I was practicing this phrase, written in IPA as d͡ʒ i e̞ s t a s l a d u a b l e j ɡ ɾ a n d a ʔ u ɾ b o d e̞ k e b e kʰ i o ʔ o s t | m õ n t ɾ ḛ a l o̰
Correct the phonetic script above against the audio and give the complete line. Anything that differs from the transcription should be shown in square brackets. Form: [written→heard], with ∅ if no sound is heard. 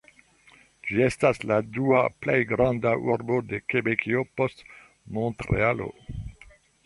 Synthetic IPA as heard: d͡ʒ i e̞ s t a s l a d u a [b→p] l e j ɡ ɾ a n d a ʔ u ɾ b o d e̞ k e b e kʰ i o [ʔ→p] o s t | m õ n t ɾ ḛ a l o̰